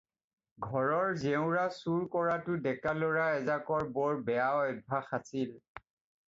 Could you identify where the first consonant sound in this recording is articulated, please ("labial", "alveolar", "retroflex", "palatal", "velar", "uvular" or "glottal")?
velar